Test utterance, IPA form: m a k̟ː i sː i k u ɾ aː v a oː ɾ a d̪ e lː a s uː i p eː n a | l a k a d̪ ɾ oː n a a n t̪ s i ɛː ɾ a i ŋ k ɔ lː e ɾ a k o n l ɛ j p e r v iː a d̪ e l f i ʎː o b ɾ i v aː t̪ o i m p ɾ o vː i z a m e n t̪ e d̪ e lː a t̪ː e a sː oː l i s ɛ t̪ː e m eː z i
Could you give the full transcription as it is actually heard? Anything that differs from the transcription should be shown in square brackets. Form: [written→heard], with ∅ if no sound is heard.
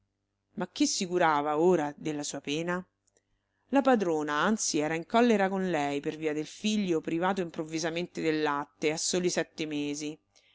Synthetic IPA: m a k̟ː i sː i k u ɾ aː v a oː ɾ a d̪ e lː a s uː [i→a] p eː n a | l a [k→p] a d̪ ɾ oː n a a n t̪ s i ɛː ɾ a i ŋ k ɔ lː e ɾ a k o n l ɛ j p e r v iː a d̪ e l f i ʎː o [b→p] ɾ i v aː t̪ o i m p ɾ o vː i z a m e n t̪ e d̪ e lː a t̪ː e a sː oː l i s ɛ t̪ː e m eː z i